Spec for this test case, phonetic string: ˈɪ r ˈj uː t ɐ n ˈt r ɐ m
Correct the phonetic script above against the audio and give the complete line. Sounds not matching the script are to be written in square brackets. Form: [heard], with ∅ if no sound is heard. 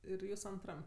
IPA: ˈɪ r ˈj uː [s] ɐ n ˈt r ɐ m